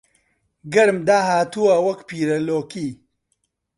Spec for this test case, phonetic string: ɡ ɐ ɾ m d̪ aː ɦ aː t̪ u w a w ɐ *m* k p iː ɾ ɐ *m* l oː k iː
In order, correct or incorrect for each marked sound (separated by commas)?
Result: incorrect, incorrect